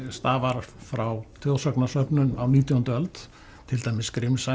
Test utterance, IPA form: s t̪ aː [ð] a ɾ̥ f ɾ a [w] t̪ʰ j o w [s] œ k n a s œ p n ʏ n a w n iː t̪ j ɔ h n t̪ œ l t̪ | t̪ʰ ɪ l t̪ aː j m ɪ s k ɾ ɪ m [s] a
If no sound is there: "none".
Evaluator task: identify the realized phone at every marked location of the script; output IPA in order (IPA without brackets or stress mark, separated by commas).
v, w, s, s